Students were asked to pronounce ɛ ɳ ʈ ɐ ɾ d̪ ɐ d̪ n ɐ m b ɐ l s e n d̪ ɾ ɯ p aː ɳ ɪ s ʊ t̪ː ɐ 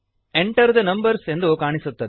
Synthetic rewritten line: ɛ ɳ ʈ ɐ ɾ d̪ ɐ n ɐ m b ɐ ɾ s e n d̪ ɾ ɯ k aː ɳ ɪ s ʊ t̪ː ɐ